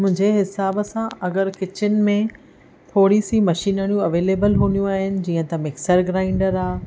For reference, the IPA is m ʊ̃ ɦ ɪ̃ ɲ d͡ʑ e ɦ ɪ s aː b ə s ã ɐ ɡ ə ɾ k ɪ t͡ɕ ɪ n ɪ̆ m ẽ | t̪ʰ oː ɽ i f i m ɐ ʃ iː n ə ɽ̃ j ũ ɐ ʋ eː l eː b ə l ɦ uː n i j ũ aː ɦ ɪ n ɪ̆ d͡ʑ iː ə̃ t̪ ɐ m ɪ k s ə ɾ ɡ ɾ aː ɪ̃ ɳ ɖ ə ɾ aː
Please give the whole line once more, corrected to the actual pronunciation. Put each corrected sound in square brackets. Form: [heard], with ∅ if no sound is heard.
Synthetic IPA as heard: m ʊ̃ ɦ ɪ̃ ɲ d͡ʑ e ɦ ɪ s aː b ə s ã ɐ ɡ ə ɾ k ɪ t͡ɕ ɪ n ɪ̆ m ẽ | t̪ʰ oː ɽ i [s] i m ɐ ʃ iː n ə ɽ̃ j ũ ɐ ʋ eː l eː b ə l ɦ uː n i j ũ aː ɦ ɪ n ɪ̆ d͡ʑ iː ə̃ t̪ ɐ m ɪ k s ə ɾ ɡ ɾ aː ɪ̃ ɳ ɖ ə ɾ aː